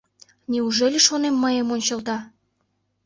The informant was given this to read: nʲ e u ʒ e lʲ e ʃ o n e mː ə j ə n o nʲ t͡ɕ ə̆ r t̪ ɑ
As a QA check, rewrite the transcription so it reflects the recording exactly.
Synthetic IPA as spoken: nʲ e u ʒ e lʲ e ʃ o n e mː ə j ə m o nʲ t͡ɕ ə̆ l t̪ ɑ